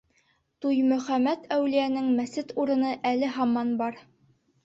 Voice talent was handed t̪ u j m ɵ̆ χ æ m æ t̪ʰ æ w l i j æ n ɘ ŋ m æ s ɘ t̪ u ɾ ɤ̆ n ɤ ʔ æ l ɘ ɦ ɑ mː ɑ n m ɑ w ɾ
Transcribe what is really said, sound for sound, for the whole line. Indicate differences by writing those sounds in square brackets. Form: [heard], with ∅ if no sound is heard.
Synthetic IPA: t̪ u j m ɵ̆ χ æ m æ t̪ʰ æ w l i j æ n ɘ ŋ m æ s ɘ t̪ u ɾ ɤ̆ n ɤ ʔ æ l ɘ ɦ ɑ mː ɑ n [b] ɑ [∅] ɾ